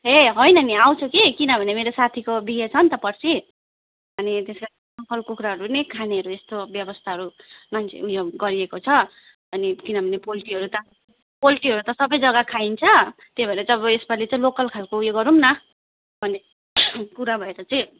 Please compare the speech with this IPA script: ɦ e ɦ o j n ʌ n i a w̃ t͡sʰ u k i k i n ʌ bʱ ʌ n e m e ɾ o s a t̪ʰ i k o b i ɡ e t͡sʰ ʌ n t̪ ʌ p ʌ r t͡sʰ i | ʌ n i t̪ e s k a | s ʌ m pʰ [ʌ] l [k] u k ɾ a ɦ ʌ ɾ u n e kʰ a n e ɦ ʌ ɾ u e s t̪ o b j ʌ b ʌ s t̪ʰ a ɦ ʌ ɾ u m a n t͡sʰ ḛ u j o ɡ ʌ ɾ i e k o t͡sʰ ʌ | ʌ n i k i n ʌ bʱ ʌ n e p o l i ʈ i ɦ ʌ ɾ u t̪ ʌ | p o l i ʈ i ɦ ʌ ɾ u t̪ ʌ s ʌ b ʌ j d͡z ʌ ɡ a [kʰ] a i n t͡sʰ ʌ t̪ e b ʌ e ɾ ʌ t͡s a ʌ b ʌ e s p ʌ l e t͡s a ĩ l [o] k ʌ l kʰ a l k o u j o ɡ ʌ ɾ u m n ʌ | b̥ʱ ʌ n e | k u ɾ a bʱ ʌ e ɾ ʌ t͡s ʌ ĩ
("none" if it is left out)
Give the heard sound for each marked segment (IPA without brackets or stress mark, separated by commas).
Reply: ʌ, k, kʰ, o